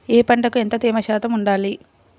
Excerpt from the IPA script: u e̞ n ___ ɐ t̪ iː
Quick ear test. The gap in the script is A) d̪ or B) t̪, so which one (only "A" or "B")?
B